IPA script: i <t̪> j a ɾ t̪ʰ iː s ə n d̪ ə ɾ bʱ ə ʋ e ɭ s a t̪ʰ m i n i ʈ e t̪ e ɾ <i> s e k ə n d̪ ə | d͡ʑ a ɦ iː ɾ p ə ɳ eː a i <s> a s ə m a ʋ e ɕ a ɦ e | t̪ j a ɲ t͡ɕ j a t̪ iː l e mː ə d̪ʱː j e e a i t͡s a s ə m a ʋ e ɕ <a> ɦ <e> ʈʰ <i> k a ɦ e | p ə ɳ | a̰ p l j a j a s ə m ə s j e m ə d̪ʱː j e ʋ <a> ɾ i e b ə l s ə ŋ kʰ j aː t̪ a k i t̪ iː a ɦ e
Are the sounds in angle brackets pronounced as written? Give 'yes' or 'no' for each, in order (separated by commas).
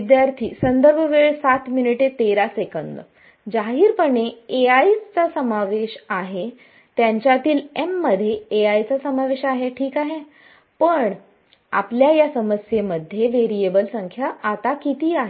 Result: no, no, no, yes, yes, no, no